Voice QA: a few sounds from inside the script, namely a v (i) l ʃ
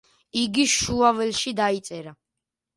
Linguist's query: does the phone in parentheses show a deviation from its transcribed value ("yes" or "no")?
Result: yes